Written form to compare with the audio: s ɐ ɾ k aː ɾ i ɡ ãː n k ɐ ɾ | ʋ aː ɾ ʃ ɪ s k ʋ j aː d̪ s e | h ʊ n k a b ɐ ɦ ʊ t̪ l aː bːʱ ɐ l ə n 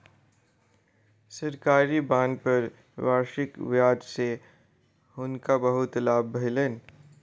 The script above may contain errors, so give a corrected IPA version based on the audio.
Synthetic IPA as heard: s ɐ ɾ k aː ɾ i b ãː n p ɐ ɾ | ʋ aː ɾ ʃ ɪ k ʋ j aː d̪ s e | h ʊ n k a b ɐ ɦ ʊ t̪ l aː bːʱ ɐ l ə n